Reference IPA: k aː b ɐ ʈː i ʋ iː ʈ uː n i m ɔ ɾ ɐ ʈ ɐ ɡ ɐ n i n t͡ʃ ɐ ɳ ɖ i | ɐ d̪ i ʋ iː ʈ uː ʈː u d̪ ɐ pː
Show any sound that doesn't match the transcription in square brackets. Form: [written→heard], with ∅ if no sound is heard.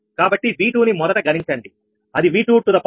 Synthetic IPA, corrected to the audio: k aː b ɐ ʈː i ʋ iː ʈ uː n i m ɔ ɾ ɐ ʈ ɐ ɡ ɐ n i [n→ɲ] t͡ʃ ɐ ɳ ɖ i | ɐ d̪ i ʋ iː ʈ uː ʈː u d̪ ɐ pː